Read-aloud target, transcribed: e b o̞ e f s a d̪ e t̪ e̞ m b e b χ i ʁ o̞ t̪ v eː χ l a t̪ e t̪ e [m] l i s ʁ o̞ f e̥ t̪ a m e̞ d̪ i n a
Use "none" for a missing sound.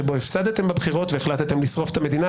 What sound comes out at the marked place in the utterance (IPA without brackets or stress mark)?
m